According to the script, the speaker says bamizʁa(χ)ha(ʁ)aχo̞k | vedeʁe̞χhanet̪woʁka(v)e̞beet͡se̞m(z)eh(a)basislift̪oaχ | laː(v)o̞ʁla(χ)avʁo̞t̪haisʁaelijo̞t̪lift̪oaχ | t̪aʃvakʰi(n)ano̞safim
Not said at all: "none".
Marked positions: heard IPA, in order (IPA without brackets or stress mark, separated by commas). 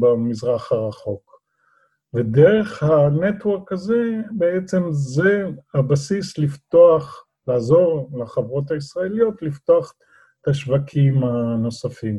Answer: χ, ʁ, z, z, a, z, χ, m